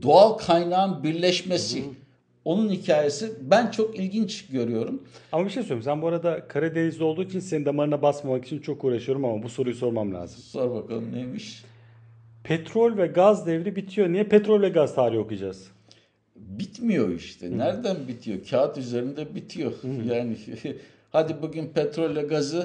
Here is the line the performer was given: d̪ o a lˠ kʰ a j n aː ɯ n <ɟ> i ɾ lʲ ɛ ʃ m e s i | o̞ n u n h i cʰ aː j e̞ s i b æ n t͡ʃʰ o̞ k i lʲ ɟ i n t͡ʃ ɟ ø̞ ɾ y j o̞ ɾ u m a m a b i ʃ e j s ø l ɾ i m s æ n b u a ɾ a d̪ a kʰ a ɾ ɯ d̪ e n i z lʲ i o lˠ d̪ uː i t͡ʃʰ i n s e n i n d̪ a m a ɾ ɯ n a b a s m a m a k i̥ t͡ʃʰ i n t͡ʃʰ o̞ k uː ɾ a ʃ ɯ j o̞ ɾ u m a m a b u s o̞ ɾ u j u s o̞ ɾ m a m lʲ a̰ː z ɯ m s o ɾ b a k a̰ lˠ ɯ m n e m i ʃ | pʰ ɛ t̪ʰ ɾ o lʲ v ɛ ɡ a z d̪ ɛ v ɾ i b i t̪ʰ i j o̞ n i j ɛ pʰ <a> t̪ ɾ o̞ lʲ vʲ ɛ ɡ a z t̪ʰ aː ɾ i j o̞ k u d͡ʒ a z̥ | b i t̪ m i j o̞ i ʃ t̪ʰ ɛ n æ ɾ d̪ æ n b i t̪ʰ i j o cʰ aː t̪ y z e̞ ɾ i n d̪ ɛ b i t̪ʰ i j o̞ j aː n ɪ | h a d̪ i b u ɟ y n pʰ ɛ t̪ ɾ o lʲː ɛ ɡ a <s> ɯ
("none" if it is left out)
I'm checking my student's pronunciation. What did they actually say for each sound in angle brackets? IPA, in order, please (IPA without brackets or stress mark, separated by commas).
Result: b, ɛ, z